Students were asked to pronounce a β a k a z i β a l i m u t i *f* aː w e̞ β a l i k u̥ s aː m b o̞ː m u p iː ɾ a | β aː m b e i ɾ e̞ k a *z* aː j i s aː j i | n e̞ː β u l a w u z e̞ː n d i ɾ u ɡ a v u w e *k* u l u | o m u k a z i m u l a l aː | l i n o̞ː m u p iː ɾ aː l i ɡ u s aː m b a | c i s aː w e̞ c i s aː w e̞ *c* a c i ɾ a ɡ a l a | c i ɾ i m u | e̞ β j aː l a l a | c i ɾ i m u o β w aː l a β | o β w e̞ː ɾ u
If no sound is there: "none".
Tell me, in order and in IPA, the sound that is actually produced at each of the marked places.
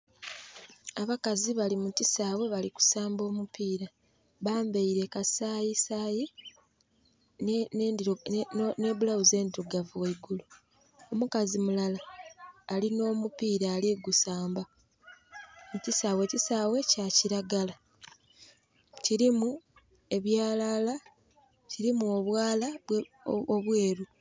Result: s, s, ɡ, c

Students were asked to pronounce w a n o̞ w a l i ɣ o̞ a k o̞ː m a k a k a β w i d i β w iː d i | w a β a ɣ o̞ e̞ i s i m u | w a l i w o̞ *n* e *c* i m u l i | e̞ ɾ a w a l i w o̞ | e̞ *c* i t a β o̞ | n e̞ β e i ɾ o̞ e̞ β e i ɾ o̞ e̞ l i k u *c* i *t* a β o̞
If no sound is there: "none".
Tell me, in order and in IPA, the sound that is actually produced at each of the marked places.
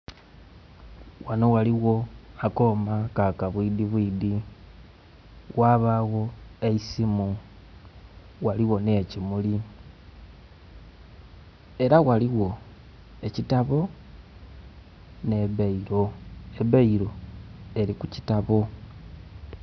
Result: n, c, c, c, t

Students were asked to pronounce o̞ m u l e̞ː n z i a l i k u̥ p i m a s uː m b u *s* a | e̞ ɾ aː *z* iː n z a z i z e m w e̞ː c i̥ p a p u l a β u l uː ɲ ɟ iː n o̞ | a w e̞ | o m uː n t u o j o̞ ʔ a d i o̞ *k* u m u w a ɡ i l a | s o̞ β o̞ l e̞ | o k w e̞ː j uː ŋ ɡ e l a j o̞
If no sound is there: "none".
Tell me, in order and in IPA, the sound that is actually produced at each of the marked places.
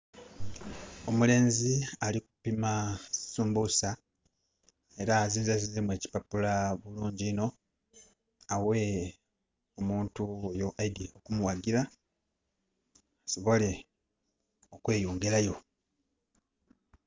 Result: s, z, k

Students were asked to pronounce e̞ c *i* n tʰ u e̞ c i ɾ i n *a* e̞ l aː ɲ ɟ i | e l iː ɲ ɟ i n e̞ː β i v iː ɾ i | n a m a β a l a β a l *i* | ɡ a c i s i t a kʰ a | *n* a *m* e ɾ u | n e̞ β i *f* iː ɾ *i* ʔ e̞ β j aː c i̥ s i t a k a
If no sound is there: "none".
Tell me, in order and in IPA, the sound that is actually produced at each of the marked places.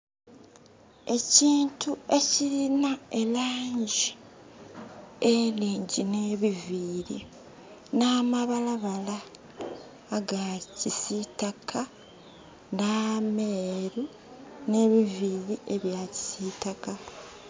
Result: iː, a, a, n, m, v, i

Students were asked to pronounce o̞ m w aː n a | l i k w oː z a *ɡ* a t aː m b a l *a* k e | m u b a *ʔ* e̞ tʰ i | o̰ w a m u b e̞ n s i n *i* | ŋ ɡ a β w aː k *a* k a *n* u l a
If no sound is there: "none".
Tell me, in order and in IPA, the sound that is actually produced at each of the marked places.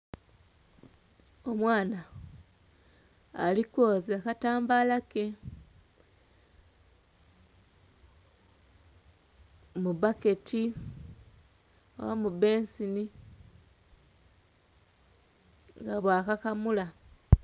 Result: k, a, k, i, a, m

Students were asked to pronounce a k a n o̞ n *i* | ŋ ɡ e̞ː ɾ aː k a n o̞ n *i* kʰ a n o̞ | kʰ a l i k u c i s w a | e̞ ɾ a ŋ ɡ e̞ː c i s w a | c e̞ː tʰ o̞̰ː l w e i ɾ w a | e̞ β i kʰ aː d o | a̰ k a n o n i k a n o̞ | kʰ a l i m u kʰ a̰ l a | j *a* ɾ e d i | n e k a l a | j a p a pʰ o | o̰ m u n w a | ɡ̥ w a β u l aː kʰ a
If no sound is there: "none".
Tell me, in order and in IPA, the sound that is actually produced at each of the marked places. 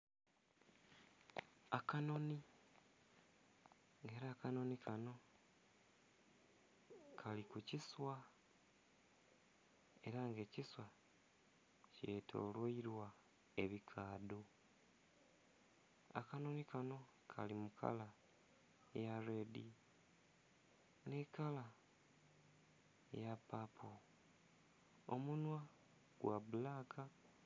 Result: i, i, a

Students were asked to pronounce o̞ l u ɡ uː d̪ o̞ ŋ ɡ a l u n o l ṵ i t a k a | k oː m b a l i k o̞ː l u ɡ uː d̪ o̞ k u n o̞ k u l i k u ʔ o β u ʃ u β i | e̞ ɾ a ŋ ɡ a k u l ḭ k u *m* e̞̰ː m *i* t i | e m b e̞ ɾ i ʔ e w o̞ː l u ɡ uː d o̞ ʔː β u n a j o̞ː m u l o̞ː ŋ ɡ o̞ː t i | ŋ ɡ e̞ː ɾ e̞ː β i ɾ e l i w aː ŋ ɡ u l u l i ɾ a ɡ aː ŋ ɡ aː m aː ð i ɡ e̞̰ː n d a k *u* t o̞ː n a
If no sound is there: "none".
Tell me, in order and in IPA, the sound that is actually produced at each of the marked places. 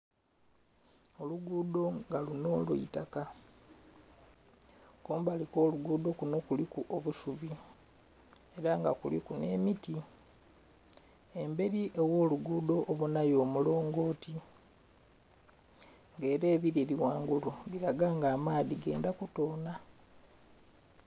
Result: n, i, u

